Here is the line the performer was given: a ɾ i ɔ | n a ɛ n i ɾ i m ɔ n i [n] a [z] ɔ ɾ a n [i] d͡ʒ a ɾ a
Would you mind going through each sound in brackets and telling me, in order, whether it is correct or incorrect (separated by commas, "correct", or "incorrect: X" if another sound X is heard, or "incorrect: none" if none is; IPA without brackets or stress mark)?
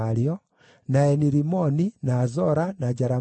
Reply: correct, correct, incorrect: a